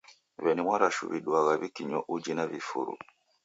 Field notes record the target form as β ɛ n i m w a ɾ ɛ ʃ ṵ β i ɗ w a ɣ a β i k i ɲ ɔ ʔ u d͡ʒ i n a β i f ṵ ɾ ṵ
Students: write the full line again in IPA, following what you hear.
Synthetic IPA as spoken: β ɛ n i m w a ɾ a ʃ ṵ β i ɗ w a ɣ a β i k i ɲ ɔ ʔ u d͡ʒ i n a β i f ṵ ɾ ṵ